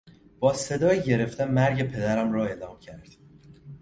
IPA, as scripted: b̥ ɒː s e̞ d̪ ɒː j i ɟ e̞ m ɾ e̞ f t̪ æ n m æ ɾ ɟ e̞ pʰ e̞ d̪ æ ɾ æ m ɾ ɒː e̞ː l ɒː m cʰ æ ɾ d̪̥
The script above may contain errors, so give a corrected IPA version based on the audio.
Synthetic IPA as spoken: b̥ ɒː s e̞ d̪ ɒː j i ɟ e̞ ɾ e̞ f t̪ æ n m æ ɾ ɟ e̞ pʰ e̞ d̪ æ ɾ æ m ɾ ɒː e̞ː l ɒː m cʰ æ ɾ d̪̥